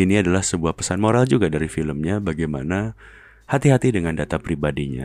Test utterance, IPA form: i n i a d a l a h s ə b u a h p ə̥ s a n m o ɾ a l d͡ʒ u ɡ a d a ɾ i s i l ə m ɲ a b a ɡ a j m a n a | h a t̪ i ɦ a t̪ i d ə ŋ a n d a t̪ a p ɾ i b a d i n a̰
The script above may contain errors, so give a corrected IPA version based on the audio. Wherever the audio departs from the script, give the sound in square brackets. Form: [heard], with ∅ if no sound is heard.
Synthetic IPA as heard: i n i a d a l a h s ə b u a h p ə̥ s a n m o ɾ a l d͡ʒ u ɡ a d a ɾ i [f] i l ə m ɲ a b a ɡ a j m a n a | h a t̪ i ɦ a t̪ i d ə ŋ a n d a t̪ a p ɾ i b a d i [ɲ] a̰